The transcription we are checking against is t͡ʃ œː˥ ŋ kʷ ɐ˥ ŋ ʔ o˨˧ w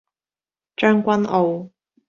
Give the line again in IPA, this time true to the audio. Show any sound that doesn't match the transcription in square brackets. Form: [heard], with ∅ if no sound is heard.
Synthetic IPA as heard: t͡ʃ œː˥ ŋ kʷ ɐ˥ [n] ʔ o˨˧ w